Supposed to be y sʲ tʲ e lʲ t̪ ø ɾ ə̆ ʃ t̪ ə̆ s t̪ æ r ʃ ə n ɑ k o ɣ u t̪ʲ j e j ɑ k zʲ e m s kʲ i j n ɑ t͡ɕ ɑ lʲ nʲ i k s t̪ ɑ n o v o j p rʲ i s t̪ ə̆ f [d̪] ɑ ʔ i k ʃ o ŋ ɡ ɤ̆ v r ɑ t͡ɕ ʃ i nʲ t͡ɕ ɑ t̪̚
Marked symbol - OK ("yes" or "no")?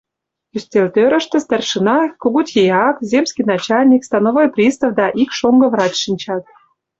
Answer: yes